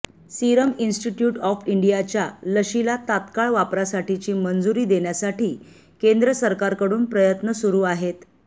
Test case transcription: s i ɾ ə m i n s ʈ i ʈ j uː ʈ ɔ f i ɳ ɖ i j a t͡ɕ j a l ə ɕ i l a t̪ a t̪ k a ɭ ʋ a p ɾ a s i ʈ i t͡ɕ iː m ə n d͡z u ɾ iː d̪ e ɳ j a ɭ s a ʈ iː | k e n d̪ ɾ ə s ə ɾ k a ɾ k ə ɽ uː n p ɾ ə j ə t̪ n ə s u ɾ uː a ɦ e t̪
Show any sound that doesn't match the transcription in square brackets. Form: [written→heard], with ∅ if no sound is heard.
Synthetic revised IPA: s i ɾ ə m i n s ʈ i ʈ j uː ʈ ɔ f i ɳ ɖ i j a t͡ɕ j a l ə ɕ i l a t̪ a t̪ k a ɭ ʋ a p ɾ a s [i→a] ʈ i t͡ɕ iː m ə n d͡z u ɾ iː d̪ e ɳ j a [ɭ→∅] s a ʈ iː | k e n d̪ ɾ ə s ə ɾ k a ɾ k ə ɽ uː n p ɾ ə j ə t̪ n ə s u ɾ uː a ɦ e t̪